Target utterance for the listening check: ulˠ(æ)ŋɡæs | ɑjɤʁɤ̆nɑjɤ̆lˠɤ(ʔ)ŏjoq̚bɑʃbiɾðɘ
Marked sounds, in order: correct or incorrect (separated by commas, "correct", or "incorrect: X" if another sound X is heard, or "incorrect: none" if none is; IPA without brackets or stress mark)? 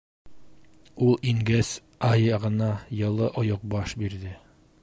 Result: incorrect: i, correct